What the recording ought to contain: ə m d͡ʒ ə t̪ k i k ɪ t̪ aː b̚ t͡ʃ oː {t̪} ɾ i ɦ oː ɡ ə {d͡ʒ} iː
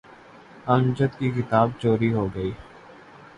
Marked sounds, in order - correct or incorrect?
incorrect, incorrect

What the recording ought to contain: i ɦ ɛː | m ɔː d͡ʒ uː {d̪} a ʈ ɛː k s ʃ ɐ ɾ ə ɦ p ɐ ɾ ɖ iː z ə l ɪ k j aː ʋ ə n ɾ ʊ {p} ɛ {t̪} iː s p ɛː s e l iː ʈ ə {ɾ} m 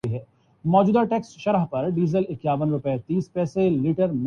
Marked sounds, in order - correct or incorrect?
correct, correct, correct, correct

